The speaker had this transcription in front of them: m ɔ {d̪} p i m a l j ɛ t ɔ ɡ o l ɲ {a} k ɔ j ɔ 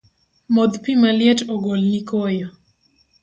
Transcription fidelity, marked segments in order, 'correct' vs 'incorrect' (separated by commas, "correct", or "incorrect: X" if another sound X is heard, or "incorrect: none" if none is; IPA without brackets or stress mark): correct, incorrect: i